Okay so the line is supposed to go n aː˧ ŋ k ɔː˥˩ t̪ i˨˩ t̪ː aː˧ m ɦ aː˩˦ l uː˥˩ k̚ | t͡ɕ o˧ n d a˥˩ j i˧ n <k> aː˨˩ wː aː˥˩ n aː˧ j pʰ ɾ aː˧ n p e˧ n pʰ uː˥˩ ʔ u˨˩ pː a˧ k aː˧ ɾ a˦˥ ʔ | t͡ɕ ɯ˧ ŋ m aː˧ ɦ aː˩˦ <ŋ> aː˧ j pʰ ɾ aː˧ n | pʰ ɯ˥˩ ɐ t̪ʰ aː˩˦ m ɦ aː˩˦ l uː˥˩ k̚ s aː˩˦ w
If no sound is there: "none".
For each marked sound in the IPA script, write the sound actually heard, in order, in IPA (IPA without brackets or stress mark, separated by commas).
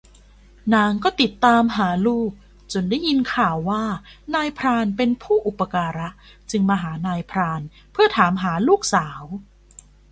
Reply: kʰ, n